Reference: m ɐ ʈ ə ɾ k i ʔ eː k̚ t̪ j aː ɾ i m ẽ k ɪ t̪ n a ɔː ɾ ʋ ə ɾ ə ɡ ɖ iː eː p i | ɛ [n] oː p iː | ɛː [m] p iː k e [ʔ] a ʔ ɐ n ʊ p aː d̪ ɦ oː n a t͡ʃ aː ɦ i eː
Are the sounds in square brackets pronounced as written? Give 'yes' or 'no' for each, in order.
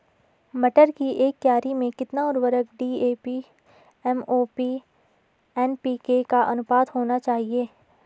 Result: no, no, no

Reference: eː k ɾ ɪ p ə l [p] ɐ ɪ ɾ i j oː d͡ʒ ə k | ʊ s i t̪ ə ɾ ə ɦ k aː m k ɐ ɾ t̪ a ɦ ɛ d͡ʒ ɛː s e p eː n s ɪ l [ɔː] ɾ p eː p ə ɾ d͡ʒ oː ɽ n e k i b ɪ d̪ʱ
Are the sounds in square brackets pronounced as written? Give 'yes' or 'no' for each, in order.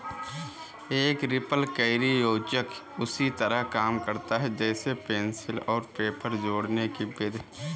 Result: no, yes

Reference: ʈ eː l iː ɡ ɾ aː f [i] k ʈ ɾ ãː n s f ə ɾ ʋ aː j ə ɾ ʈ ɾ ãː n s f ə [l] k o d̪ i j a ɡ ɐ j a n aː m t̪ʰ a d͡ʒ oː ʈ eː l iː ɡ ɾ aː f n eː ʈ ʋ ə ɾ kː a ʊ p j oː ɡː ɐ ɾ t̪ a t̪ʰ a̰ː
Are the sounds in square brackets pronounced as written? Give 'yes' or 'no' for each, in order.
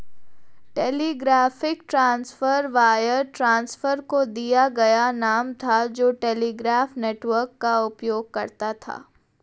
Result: no, no

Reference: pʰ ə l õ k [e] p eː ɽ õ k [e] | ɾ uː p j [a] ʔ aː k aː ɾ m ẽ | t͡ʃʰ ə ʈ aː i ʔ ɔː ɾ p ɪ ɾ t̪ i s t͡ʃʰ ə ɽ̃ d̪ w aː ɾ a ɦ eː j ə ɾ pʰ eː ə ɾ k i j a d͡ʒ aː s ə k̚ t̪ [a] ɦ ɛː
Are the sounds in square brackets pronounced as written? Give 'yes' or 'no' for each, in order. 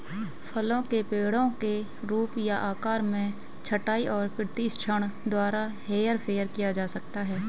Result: yes, yes, yes, yes

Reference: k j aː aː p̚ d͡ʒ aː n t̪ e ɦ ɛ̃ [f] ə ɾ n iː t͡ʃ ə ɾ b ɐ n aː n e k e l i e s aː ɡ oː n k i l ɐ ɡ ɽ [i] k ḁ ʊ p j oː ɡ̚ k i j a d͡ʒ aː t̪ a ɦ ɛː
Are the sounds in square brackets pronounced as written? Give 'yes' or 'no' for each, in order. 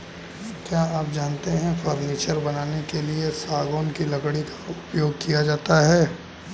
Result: yes, yes

